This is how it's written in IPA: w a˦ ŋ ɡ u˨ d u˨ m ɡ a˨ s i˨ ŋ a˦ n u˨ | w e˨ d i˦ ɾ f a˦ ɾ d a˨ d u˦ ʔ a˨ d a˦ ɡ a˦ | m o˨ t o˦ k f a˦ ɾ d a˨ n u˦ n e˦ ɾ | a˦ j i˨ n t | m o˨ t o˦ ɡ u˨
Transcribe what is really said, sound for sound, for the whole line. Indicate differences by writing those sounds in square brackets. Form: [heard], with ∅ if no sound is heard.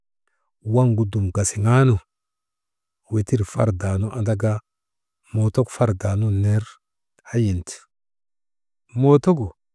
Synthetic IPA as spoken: w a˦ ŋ ɡ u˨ d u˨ m ɡ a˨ s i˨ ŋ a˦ n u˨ | w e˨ [t] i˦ ɾ f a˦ ɾ d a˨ [n] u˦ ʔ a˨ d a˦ ɡ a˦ | m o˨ t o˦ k f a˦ ɾ d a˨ n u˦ n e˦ ɾ | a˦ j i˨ n t | m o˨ t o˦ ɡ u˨